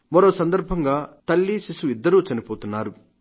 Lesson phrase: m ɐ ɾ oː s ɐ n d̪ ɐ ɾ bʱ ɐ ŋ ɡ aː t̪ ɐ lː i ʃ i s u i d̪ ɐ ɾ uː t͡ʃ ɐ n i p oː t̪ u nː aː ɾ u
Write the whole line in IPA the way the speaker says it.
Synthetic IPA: m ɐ ɾ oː s ɐ n d̪ ɐ ɾ bʱ ɐ ŋ ɡ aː t̪ ɐ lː i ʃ i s u i d̪ː ɐ ɾ uː t͡ʃ ɐ n i p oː t̪ u nː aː ɾ u